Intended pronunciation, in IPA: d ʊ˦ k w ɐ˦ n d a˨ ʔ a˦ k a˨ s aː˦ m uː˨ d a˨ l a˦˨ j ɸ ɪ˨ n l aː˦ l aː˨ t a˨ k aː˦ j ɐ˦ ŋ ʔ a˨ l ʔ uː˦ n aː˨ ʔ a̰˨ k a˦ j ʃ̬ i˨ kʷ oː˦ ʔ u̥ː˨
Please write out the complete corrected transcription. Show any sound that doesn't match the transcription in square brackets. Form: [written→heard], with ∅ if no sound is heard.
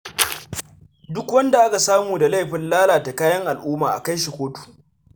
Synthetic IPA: d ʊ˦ k w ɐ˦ n d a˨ ʔ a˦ k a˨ s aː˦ m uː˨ d a˨ l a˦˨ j ɸ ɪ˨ n l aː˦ l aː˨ t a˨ k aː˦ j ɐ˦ ŋ ʔ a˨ l ʔ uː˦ [n→m] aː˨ ʔ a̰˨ k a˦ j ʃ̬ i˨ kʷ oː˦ [ʔ→t] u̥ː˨